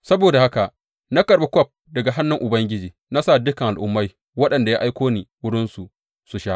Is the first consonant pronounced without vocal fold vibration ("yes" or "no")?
yes